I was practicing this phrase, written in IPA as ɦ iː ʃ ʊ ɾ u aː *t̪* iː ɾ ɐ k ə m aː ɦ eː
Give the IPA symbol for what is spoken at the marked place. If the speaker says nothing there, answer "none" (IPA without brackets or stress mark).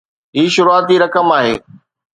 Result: t̪